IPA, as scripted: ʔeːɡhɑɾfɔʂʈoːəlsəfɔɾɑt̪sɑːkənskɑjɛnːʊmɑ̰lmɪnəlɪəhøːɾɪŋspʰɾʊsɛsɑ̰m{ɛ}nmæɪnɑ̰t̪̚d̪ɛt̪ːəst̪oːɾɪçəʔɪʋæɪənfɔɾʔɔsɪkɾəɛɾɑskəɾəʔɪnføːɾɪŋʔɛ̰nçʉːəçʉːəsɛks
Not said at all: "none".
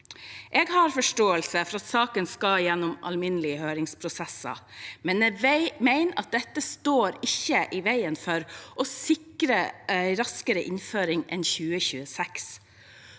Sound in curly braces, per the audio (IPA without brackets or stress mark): ɛ